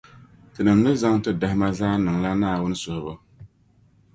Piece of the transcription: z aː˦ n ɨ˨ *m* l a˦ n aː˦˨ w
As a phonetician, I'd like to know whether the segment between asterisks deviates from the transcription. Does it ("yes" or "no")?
yes